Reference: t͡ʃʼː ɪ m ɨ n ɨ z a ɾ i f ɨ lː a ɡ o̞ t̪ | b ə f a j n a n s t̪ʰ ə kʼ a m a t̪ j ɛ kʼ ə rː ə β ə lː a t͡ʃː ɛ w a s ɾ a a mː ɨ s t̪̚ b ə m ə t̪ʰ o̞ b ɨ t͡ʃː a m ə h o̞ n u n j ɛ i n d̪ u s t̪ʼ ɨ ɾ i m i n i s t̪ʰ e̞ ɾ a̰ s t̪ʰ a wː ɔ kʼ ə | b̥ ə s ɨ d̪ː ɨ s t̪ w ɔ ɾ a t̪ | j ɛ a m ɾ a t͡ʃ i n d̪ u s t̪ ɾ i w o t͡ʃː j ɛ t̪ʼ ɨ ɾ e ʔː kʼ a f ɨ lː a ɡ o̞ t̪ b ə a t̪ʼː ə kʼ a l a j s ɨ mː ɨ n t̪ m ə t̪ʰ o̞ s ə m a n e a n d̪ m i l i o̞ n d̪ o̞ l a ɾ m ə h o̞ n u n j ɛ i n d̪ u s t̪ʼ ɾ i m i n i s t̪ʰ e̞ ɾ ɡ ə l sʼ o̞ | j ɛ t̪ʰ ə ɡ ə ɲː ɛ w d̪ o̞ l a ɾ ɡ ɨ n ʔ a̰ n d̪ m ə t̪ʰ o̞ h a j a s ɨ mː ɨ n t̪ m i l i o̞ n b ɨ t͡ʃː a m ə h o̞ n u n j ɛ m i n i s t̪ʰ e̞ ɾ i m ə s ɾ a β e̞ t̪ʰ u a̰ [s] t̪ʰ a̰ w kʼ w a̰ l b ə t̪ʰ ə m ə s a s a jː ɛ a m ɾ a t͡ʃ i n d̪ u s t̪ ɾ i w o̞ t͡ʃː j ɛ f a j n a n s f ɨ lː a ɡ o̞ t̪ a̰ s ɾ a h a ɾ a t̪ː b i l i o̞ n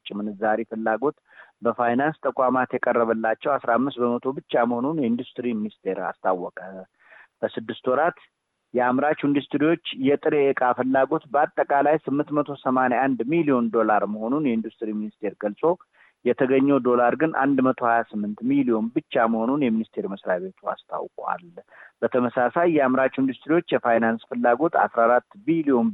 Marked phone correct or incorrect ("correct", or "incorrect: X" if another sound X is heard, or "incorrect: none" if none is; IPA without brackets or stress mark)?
correct